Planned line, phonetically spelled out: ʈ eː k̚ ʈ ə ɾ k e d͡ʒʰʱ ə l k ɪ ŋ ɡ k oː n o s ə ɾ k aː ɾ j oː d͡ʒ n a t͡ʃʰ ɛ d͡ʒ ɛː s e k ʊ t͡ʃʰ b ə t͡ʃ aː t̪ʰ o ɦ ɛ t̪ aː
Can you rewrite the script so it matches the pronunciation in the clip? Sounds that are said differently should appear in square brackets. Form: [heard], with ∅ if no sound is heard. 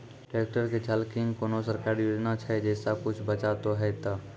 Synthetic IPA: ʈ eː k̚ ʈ ə ɾ k e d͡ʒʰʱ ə l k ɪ ŋ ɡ k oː n o s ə ɾ k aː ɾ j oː d͡ʒ n a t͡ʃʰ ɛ d͡ʒ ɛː s [a] k ʊ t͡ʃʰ b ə t͡ʃ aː [t̪] o ɦ ɛ t̪ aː

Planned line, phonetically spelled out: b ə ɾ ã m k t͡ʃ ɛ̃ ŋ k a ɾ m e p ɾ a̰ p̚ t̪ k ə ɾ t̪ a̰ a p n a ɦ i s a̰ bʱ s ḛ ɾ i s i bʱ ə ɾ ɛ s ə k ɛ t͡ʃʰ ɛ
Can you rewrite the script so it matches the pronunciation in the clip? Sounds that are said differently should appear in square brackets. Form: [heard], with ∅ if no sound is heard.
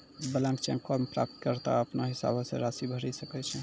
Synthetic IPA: b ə [l] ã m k t͡ʃ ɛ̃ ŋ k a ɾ m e p ɾ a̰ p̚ t̪ k ə ɾ t̪ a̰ [ə] p n a ɦ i s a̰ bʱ s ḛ ɾ [a] s i bʱ ə ɾ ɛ s ə k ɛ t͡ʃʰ ɛ

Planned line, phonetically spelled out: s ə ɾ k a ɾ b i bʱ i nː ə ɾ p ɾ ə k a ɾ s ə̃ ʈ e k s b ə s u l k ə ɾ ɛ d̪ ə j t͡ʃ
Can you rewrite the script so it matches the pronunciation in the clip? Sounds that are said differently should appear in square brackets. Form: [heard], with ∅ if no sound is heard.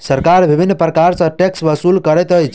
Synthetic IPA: s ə ɾ k a ɾ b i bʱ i nː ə [∅] p ɾ ə k a ɾ s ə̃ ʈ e k s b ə s u l k ə ɾ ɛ [t̪] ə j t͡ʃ

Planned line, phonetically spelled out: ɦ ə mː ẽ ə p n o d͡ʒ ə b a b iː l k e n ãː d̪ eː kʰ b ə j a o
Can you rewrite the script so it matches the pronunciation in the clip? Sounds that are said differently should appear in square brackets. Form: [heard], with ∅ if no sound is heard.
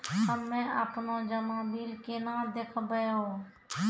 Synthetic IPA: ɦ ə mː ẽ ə p n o d͡ʒ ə [m] a b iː l k e n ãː d̪ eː kʰ b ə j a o

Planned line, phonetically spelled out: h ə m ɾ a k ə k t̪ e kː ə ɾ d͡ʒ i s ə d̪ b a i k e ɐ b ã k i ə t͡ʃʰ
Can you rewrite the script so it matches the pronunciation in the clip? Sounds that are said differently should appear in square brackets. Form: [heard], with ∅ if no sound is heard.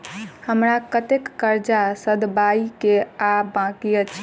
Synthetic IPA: h ə m ɾ a k ə [∅] t̪ e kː ə ɾ d͡ʒ [a] s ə d̪ b a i k e [a] b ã k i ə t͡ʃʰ

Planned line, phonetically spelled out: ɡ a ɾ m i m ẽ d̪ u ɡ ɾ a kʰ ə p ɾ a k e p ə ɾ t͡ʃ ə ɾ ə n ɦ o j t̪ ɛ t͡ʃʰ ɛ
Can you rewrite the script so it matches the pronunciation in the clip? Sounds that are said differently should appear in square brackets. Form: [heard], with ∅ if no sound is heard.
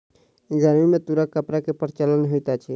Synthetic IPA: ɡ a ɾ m i m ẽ [t̪] u [∅] ɾ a [k] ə p ɾ a k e p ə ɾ t͡ʃ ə [l] ə n ɦ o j t̪ [a] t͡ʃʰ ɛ

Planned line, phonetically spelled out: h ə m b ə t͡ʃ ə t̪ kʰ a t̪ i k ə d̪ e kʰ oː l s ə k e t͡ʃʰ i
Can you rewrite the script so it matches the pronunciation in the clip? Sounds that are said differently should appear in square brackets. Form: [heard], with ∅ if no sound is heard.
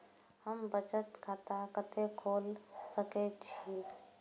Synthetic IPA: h ə m b ə t͡ʃ ə t̪ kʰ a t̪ [a] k ə [t̪] e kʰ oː l s ə k e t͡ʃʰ i

